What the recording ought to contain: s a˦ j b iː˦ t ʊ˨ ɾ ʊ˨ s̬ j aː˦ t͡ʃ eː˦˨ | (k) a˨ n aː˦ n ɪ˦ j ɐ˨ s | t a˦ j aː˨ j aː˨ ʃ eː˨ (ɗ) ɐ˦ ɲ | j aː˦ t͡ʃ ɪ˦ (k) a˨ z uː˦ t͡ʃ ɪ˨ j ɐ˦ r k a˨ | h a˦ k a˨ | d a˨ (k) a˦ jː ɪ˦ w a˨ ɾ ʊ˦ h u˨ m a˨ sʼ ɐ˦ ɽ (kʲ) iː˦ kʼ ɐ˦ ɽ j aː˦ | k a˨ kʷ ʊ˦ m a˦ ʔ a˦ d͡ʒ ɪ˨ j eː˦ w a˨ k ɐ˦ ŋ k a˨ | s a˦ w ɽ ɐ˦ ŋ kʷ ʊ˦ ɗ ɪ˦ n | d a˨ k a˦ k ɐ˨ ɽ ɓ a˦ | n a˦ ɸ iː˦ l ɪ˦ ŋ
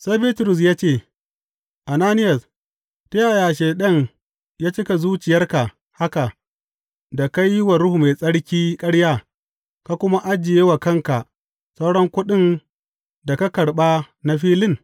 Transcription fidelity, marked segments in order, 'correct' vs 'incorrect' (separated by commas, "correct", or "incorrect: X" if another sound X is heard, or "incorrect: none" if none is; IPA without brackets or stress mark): incorrect: ʔ, correct, correct, correct, correct